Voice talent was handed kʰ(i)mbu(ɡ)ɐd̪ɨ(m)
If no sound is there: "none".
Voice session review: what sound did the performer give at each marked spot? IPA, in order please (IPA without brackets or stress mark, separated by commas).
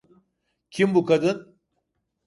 i, k, n